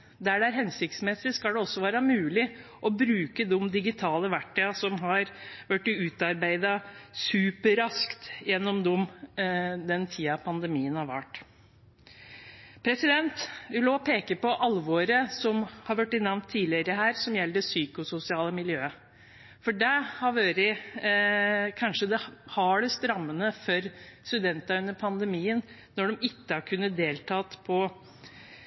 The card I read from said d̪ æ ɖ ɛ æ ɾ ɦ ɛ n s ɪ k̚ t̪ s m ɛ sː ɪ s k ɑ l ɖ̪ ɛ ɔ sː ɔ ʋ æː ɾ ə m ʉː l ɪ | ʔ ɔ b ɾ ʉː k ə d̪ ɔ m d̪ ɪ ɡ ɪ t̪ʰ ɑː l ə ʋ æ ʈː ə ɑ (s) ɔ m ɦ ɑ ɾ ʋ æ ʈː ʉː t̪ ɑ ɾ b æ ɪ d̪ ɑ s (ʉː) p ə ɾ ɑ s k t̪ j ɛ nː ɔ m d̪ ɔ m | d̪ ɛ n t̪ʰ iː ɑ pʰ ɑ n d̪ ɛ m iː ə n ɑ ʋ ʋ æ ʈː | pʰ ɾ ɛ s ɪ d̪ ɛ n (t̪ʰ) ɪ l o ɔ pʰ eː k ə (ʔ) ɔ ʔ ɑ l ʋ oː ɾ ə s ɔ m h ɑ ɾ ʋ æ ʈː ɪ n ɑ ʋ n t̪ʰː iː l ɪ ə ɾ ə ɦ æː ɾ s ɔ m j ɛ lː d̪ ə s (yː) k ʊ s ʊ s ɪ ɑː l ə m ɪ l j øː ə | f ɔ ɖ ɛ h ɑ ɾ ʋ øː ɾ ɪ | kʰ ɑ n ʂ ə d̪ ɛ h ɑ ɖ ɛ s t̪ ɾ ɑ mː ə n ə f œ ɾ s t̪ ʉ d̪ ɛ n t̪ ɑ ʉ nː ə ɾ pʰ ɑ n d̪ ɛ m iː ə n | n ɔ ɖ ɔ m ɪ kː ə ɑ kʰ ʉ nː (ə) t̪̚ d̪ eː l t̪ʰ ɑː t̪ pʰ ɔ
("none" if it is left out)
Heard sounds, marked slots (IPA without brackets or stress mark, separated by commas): s, ʉː, t̪, p, yː, ə